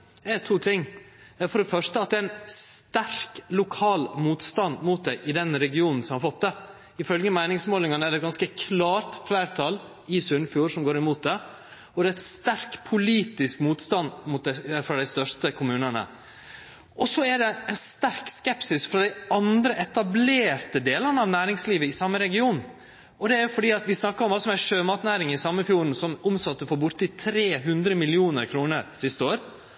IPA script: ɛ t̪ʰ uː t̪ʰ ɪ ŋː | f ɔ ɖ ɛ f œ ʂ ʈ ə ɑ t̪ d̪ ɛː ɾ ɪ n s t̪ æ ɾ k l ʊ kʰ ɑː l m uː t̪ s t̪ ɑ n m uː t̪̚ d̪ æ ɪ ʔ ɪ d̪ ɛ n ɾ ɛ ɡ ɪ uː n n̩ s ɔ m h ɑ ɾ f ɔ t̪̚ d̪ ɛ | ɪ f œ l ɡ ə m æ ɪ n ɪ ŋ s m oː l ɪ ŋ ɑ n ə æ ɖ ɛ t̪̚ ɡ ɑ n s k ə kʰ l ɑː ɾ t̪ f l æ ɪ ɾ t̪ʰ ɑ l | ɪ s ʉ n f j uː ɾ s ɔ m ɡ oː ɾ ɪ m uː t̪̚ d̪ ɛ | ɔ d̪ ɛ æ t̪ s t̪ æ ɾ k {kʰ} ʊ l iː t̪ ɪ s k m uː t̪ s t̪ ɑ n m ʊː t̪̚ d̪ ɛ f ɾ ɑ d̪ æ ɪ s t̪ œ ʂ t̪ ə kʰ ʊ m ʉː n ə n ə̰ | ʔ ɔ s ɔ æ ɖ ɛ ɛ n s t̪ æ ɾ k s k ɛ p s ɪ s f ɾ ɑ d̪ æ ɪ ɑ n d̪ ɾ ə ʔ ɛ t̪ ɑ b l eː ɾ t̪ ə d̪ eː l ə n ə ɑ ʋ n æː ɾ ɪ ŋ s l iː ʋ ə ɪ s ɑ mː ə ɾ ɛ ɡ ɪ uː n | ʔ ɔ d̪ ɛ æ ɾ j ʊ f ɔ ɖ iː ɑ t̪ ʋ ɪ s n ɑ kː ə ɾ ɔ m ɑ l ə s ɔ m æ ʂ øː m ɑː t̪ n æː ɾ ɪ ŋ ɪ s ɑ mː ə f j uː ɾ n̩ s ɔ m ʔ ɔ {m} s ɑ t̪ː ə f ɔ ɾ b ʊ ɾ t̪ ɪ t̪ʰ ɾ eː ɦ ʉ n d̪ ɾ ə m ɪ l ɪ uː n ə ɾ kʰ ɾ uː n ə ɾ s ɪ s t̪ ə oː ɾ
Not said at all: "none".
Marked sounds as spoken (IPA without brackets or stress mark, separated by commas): pʰ, m